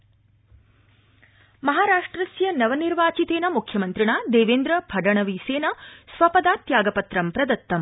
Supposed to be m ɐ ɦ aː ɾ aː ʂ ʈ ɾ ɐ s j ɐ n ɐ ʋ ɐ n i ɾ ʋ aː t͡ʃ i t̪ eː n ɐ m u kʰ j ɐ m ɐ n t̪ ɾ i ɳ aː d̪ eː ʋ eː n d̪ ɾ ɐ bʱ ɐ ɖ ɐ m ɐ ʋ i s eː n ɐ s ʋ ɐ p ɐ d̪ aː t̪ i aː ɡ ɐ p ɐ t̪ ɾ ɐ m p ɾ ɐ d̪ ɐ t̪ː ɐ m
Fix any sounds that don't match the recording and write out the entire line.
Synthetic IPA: m ɐ ɦ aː ɾ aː ʂ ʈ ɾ ɐ s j ɐ n ɐ ʋ ɐ n i ɾ ʋ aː t͡ʃ i t̪ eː n ɐ m u kʰ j ɐ m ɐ n t̪ ɾ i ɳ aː d̪ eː ʋ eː n d̪ ɾ ɐ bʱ ɐ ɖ ɐ ɳ ɐ ʋ i s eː n ɐ s ʋ ɐ p ɐ d̪ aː t̪ j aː ɡ ɐ p ɐ t̪ ɾ ɐ m p ɾ ɐ d̪ ɐ t̪ː ɐ m